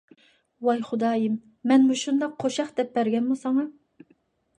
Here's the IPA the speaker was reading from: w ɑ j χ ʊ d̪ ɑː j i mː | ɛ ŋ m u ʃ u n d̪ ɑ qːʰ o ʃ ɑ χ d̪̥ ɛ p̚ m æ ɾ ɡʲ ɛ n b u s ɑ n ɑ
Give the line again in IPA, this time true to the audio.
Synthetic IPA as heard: w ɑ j χ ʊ d̪ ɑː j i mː | ɛ n m u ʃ u n d̪ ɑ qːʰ o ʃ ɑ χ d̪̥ ɛ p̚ b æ ɾ ɡʲ ɛ n m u s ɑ ŋ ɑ

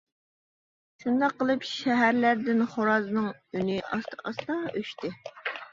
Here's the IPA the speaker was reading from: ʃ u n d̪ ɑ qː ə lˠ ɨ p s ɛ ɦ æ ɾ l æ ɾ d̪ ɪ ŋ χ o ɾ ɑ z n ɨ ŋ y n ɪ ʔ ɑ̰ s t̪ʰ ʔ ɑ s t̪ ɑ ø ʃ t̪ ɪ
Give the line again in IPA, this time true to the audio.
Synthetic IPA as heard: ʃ u n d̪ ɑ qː ə lˠ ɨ p ʃ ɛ ɦ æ ɾ l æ ɾ d̪ ɪ n χ o ɾ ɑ z n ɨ ŋ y n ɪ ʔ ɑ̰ s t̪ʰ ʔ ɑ s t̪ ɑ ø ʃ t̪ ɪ

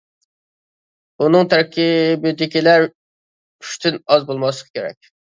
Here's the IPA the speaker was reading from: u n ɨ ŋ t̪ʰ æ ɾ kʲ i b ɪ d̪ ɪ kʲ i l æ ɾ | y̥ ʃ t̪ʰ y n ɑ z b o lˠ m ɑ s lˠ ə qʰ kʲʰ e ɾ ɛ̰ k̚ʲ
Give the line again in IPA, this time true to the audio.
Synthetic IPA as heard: u n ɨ ŋ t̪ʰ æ ɾ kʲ i b ɪ d̪ ɪ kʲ i l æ ɾ | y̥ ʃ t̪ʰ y n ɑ z b o lˠ m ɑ s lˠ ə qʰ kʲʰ e ɾ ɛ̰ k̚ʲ

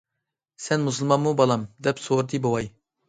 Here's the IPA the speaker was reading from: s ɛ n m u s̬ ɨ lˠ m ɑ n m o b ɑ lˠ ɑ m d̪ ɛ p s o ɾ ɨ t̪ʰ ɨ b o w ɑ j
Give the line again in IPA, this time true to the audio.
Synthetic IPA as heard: s ɛ n m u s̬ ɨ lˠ m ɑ n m u b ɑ lˠ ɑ m d̪ ɛ p s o ɾ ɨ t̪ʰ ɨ b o w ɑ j

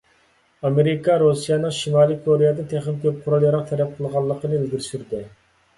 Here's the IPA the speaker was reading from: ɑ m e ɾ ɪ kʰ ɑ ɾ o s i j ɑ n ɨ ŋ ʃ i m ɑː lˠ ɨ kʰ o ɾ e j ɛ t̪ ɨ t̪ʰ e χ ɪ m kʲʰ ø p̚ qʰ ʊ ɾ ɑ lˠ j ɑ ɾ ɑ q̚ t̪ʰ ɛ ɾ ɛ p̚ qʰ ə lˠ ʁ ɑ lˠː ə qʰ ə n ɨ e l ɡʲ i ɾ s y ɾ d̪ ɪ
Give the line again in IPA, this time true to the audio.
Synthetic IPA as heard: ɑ m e ɾ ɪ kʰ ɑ ɾ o s i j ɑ n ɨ ŋ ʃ i m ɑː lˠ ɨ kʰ o ɾ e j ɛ d̪ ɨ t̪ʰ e χ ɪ m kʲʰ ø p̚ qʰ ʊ ɾ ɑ lˠ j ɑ ɾ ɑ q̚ t̪ʰ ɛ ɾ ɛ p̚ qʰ ə lˠ ʁ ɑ lˠː ə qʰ ə n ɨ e l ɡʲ i ɾ s y ɾ d̪ ɪ

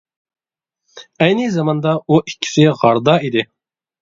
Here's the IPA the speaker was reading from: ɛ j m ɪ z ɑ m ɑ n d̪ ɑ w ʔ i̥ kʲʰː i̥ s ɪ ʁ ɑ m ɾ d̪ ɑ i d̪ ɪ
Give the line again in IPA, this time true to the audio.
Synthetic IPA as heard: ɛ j n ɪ z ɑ m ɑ n d̪ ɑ u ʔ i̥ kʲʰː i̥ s ɪ ʁ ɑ ɾ d̪ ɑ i d̪ ɪ

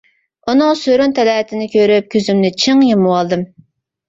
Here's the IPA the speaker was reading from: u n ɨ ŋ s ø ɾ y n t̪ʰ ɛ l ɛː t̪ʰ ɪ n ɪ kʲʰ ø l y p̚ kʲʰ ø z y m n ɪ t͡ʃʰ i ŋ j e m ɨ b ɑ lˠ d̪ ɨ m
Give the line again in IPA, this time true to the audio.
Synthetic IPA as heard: u n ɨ ŋ s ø ɾ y n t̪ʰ ɛ l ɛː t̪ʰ ɪ n ɪ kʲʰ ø ɾ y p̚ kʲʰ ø z y m n ɪ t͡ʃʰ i ŋ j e m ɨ w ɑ lˠ d̪ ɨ m

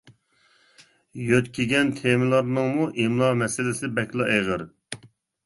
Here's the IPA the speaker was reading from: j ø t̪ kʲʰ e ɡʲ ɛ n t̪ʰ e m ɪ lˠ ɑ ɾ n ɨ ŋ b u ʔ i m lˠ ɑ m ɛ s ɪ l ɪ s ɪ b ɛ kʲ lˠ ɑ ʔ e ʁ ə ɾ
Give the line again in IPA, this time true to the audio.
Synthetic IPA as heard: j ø t̪ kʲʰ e ɡʲ ɛ n t̪ʰ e m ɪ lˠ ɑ ɾ n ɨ ŋ m u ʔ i m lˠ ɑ m ɛ s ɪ l ɪ s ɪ b ɛ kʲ lˠ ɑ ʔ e ʁ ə ɾ

